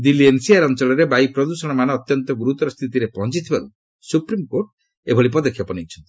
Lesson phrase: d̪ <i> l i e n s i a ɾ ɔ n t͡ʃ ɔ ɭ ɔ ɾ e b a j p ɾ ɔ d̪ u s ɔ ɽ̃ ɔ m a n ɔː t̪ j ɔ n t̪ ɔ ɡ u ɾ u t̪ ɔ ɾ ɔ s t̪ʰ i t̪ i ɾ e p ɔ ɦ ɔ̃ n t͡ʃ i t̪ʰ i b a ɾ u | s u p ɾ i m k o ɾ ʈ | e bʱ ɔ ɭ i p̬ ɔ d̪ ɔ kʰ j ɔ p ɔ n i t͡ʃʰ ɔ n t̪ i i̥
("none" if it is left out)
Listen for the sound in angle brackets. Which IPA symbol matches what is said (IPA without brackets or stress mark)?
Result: i